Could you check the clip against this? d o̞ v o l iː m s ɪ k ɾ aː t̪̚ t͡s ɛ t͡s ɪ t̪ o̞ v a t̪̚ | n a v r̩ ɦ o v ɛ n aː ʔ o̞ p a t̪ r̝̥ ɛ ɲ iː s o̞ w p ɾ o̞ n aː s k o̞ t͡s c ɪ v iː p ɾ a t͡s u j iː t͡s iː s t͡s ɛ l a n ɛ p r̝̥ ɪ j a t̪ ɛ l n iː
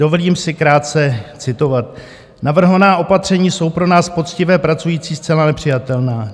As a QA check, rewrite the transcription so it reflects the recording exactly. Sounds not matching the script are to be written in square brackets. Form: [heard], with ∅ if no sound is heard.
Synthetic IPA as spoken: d o̞ v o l iː m s ɪ k ɾ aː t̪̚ t͡s ɛ t͡s ɪ t̪ o̞ v a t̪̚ | n a v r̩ ɦ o v [a] n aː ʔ o̞ p a t̪ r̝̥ ɛ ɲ iː s o̞ w p ɾ o̞ n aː s [p] o̞ t͡s c ɪ v [ɛː] p ɾ a t͡s u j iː t͡s iː s t͡s ɛ l a n ɛ p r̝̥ ɪ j a t̪ ɛ l n [aː]